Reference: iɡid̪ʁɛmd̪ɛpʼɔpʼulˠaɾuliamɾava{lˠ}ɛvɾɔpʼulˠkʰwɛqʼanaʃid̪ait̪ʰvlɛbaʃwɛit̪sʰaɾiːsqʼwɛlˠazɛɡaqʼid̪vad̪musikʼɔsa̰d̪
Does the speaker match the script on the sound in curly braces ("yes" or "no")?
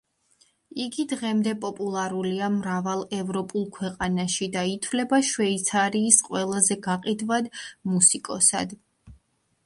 yes